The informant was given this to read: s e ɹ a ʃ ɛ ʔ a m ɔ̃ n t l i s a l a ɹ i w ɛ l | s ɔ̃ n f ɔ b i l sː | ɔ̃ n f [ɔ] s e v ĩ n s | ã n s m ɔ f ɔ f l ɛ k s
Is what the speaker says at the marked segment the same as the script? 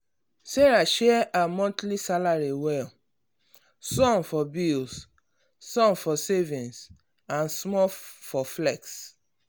yes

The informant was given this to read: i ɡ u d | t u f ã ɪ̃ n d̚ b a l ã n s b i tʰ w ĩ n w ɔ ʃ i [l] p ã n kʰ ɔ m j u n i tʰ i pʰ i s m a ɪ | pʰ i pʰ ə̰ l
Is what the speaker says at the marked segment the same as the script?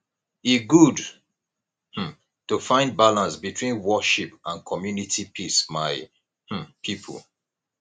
no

